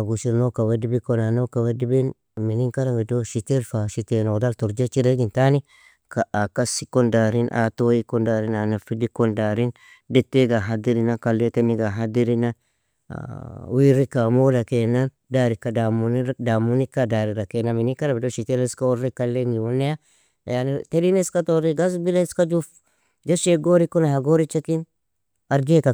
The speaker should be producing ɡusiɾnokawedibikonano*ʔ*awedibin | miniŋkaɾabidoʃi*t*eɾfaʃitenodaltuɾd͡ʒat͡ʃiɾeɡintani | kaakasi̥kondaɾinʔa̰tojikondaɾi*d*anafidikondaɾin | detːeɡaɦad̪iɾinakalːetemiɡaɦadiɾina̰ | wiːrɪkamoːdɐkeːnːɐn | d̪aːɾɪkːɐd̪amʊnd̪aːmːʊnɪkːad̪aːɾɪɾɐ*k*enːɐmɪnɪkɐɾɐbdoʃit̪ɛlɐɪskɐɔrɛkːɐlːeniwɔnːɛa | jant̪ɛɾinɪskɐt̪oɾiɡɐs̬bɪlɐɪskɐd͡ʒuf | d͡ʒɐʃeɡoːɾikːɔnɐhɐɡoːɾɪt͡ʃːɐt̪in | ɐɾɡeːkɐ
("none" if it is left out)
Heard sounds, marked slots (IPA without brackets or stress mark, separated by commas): k, t, n, k